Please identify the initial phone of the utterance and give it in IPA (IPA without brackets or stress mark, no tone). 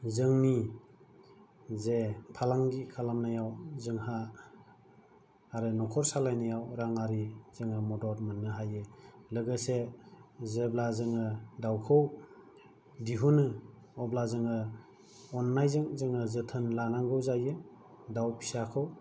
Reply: z